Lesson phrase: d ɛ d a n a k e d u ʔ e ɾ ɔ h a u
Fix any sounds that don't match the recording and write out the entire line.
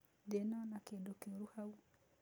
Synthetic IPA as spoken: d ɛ n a n a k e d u k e ɾ u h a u